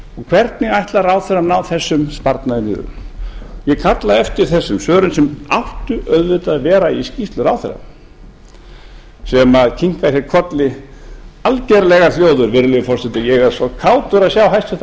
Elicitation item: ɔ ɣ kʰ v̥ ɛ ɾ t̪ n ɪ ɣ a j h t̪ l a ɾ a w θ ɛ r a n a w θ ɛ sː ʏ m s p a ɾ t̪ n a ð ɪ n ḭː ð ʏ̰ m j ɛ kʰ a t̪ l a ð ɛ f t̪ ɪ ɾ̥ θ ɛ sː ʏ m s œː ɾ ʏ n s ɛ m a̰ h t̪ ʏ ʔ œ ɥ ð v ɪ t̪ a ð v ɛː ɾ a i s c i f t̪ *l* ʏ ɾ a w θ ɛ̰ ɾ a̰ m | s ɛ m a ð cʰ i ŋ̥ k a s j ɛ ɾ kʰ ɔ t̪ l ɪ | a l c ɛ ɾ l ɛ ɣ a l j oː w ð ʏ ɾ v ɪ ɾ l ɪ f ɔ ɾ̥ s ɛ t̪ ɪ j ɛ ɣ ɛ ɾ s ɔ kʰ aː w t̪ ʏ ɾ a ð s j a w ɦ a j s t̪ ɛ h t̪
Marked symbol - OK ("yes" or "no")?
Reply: yes